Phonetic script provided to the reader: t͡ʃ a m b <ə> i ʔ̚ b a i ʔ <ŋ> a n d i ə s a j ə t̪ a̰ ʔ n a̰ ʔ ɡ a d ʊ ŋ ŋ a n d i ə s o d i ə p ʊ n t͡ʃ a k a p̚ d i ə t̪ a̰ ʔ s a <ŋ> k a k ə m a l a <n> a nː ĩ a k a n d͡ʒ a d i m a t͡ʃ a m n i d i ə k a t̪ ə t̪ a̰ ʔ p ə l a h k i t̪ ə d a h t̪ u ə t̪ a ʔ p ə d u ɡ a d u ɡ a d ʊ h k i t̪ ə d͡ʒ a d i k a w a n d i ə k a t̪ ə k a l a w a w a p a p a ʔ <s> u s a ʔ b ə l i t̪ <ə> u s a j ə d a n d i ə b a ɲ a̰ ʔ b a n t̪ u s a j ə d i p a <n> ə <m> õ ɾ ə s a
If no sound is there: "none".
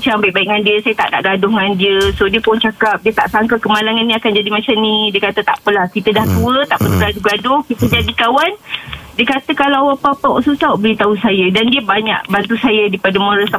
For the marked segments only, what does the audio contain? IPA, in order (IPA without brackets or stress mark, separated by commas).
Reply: a, ŋ, ŋ, ŋ, s, a, d, m